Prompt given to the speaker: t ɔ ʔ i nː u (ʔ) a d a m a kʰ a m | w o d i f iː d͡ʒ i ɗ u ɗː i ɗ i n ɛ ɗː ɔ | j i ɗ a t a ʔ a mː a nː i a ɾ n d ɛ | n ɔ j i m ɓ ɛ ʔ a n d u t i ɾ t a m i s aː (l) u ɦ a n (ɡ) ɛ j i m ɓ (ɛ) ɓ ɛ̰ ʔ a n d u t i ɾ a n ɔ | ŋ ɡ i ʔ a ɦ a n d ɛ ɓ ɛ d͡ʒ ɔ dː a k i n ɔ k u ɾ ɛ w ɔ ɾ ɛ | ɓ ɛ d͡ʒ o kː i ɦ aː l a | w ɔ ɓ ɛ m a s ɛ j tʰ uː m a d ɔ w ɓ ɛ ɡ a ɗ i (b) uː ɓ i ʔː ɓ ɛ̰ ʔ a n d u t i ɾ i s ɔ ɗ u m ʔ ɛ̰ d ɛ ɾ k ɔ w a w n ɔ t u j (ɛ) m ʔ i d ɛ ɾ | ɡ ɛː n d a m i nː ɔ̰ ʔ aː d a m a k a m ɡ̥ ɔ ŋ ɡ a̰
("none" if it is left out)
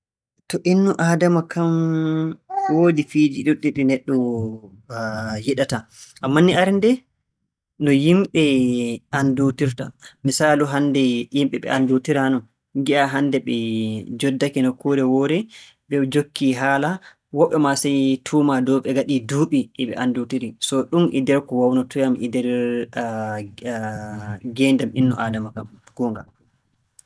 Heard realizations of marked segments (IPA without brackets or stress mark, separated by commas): ʔ, l, d, ɛ, d, a